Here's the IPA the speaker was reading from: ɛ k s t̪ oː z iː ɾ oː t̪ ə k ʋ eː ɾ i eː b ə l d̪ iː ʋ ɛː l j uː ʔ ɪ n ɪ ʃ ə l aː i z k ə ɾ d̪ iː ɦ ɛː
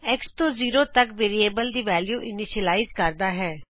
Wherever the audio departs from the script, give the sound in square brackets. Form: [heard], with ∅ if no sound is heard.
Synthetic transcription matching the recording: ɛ k s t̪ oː z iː ɾ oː t̪ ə k ʋ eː ɾ i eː b ə l d̪ iː ʋ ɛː l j uː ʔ ɪ n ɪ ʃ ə l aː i z k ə ɾ d̪ [aː] ɦ ɛː